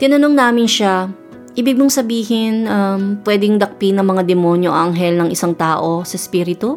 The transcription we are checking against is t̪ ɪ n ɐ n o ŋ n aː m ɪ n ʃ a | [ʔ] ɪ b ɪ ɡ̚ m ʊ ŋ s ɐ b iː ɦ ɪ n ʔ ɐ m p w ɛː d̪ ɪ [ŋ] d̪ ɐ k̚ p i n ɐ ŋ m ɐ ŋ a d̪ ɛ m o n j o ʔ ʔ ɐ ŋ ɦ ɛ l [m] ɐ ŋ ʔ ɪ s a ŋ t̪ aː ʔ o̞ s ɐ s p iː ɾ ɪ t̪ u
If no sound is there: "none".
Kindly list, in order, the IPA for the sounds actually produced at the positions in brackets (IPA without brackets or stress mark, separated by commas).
ʔ, ŋ, n